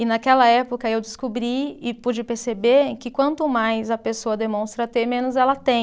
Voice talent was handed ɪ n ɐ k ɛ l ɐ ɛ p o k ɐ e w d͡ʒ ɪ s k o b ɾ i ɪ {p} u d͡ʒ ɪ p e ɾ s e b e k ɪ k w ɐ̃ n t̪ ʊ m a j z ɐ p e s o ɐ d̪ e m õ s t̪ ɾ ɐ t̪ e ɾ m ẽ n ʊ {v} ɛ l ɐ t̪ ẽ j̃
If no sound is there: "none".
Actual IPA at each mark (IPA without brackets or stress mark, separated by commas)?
p, z